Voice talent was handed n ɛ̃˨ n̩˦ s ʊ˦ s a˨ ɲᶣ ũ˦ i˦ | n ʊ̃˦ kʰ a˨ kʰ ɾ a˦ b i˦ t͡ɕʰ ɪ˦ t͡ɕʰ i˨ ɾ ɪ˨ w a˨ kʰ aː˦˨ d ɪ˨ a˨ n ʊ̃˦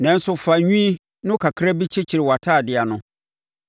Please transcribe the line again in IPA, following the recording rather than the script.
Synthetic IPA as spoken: n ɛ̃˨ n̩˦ s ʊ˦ f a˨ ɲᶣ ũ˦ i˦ | n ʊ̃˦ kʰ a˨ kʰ ɾ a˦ b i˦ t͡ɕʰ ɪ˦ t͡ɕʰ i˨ ɾ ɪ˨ w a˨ tʰ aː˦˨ d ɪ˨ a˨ n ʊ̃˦

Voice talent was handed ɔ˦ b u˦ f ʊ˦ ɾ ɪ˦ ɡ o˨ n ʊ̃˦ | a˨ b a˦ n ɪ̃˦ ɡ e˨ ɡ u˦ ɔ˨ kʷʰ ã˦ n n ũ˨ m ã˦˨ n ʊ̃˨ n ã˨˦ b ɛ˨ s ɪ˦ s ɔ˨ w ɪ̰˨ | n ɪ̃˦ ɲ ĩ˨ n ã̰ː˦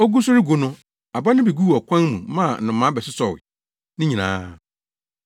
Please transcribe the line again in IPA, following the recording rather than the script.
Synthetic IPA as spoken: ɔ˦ ɡ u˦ s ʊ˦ ɾ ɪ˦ ɡ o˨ n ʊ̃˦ | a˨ b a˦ n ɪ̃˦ b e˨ ɡ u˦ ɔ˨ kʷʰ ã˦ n m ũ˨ m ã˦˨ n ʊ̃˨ m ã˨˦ b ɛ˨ s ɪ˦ s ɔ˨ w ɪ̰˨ | n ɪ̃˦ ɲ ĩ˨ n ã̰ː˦

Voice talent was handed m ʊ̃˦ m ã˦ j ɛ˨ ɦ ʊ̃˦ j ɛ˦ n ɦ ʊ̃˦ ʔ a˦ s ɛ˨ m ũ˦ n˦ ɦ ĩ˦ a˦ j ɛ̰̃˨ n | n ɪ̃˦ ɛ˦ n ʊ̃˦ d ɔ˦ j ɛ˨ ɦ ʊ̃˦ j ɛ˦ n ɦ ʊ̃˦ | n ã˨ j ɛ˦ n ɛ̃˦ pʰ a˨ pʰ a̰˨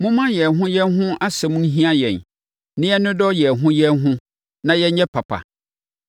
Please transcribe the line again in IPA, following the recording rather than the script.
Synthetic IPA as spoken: m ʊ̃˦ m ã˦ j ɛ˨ ɦ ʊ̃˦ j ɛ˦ n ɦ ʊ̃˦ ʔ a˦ s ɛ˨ m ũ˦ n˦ ɦ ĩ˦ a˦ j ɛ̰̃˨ n | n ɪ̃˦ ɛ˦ n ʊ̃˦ d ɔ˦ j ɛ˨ ɦ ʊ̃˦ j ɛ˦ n ɦ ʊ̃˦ | n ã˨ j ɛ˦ ɲ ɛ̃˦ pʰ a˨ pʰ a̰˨

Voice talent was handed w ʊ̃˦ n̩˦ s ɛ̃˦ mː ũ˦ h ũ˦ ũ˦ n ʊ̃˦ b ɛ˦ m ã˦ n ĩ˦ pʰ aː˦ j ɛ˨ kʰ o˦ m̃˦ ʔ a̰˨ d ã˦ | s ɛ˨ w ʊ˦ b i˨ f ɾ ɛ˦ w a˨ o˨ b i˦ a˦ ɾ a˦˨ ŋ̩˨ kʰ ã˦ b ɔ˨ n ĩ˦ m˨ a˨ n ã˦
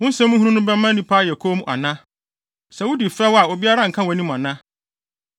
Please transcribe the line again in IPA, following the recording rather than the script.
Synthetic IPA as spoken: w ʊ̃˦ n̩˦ s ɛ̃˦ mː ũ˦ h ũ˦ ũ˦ n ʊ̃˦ b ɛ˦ m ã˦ n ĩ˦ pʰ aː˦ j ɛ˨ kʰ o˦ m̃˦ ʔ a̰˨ n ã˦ | s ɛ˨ w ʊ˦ d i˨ f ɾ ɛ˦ w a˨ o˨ b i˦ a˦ ɾ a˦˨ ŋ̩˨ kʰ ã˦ w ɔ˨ n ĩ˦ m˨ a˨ n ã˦

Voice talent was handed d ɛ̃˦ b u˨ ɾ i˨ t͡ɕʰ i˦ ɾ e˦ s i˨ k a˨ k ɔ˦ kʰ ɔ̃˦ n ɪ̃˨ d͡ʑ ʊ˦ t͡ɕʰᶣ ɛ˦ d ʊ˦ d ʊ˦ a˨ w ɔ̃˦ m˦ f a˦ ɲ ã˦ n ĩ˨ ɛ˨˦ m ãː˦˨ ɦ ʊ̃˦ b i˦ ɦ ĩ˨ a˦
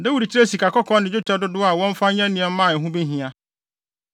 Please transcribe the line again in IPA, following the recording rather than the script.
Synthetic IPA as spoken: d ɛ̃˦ w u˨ ɾ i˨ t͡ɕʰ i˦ ɾ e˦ s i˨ k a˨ k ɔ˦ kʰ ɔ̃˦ n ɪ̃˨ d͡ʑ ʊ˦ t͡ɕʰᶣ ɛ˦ d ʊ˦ d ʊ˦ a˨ w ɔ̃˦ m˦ f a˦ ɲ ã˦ n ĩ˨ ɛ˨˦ m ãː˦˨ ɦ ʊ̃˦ b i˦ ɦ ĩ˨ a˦

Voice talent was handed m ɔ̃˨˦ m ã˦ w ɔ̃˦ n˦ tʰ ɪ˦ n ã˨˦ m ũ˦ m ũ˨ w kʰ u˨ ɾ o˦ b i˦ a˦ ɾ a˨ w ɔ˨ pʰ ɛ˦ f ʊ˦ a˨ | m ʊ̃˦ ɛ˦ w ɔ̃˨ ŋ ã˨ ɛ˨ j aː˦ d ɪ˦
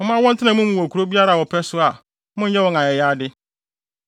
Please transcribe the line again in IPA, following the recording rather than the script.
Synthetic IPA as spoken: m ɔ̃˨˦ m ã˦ w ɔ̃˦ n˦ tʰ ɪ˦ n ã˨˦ m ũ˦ m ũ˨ w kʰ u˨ ɾ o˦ b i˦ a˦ ɾ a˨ w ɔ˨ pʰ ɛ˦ s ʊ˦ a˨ | m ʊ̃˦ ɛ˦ w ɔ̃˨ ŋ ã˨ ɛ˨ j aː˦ d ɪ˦

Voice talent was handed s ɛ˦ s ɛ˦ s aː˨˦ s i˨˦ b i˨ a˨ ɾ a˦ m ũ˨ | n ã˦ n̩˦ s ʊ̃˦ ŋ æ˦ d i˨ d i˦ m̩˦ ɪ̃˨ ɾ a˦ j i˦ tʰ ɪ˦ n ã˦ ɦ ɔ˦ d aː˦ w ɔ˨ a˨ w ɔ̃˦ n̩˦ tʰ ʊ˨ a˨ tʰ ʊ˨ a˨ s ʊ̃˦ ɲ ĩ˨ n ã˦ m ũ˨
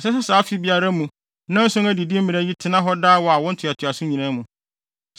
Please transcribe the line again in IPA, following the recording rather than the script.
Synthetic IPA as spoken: s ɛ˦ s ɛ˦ s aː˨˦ f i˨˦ b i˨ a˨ ɾ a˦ m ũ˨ | n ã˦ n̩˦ s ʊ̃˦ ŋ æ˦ d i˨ d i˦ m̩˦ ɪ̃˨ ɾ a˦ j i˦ tʰ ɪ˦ n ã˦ ɦ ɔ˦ d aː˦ w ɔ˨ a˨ w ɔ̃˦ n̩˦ tʰ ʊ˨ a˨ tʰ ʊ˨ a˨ s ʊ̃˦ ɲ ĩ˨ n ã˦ m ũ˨

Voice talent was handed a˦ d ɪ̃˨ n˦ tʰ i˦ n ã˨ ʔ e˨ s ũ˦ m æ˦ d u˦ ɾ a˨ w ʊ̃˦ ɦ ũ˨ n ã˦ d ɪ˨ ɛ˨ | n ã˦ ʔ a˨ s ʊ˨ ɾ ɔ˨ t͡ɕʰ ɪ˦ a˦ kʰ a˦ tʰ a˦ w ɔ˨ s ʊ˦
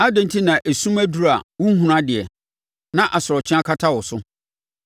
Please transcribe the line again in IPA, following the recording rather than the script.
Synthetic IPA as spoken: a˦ d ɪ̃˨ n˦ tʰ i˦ n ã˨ ʔ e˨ s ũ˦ m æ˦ d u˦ ɾ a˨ w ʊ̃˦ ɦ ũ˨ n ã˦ d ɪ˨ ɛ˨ | n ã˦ ʔ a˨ s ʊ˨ ɾ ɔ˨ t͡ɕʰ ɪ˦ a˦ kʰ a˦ tʰ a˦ w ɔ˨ s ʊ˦

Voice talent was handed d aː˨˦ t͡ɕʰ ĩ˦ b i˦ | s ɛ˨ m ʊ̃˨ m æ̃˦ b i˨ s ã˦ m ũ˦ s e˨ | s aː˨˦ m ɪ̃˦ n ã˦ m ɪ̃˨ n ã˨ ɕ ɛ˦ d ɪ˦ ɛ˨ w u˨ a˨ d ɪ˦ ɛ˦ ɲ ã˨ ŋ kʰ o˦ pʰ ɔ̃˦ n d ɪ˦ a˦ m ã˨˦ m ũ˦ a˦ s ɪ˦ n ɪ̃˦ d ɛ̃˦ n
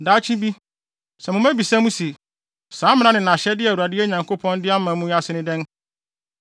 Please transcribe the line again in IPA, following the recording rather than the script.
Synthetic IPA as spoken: d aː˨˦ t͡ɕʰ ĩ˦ b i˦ | s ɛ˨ m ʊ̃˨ m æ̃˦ b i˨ s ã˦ m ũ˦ s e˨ | s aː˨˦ m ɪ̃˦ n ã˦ n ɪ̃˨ n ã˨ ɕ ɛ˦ d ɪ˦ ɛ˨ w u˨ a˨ d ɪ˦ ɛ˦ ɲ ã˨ ŋ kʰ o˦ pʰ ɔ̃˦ n d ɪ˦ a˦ m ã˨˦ m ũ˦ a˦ s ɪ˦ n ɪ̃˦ d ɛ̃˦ n

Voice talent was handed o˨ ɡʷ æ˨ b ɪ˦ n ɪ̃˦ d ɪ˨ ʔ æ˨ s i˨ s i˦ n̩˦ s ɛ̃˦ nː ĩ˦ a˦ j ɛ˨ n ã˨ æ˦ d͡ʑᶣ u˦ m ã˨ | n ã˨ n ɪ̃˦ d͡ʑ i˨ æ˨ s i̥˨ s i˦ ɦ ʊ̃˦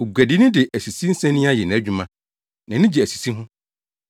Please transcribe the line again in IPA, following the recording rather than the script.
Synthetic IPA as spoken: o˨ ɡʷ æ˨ d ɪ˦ n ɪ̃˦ d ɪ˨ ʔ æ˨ s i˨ s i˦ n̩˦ s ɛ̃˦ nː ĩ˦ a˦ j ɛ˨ n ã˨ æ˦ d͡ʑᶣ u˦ m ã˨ | n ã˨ n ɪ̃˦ d͡ʑ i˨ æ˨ s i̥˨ s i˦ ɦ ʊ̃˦

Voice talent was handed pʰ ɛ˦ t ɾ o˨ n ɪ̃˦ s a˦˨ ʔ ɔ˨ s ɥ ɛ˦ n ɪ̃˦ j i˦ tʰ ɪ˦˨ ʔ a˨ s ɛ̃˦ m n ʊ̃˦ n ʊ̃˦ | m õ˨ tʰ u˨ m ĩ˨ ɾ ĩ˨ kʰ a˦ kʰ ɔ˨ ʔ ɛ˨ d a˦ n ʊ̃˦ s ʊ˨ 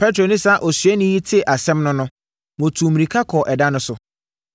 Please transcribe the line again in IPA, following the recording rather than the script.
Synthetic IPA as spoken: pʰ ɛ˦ t ɾ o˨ n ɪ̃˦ s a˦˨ ʔ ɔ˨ s ɥ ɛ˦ n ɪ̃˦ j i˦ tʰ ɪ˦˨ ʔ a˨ s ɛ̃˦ m n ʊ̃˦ n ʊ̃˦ | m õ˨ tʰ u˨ m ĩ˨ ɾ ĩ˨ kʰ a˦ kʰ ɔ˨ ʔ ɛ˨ d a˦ n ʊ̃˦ s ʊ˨

